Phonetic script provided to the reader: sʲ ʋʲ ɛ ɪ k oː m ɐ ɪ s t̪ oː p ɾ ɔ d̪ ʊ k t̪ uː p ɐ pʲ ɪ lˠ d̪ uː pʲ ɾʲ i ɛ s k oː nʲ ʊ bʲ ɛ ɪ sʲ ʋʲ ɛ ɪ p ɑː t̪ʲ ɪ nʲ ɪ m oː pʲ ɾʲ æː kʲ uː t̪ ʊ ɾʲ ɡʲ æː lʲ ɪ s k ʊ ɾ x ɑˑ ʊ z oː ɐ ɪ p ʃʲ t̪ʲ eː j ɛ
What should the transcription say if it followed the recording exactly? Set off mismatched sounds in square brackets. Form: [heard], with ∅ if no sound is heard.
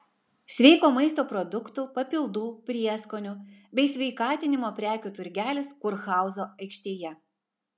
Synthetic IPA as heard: sʲ ʋʲ ɛ ɪ k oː m ɐ ɪ s t̪ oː p ɾ ɔ d̪ ʊ k t̪ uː p ɐ pʲ ɪ lˠ d̪ uː pʲ ɾʲ i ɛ s k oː nʲ ʊ bʲ ɛ ɪ sʲ ʋʲ ɛ ɪ [k] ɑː t̪ʲ ɪ nʲ ɪ m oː pʲ ɾʲ æː kʲ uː t̪ ʊ ɾʲ ɡʲ æː lʲ ɪ s k ʊ ɾ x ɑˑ ʊ z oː ɐ ɪ [k] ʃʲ t̪ʲ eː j ɛ